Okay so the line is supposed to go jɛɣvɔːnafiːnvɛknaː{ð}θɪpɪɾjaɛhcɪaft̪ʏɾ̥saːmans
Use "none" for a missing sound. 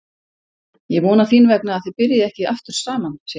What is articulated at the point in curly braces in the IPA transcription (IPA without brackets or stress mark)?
ð